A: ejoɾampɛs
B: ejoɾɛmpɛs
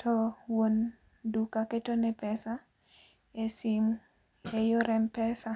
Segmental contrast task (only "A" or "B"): B